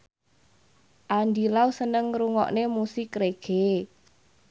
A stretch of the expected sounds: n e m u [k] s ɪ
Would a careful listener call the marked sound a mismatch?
yes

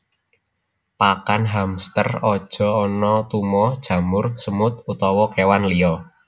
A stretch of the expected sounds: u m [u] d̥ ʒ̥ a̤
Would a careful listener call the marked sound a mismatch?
yes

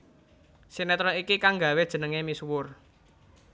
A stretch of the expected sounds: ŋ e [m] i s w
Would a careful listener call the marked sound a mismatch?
no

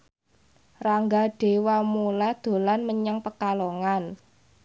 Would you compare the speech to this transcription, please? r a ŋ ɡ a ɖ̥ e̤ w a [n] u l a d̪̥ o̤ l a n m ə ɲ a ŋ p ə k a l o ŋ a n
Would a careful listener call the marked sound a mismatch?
yes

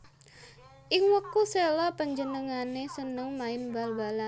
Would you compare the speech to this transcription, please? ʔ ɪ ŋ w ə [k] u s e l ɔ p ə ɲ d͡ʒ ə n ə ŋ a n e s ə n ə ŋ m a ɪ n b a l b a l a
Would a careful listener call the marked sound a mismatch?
no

